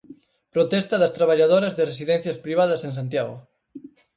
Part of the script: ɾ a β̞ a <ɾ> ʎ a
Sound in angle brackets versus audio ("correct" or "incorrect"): incorrect